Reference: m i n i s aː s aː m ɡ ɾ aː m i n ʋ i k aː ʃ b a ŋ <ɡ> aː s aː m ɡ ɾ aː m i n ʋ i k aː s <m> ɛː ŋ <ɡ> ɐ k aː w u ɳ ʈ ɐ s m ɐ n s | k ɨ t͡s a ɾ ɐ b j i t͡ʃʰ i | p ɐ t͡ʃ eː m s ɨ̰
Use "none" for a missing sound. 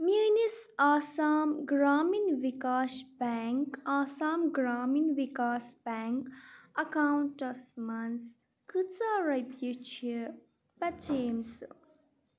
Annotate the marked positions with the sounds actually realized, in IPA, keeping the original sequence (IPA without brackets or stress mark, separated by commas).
k, b, k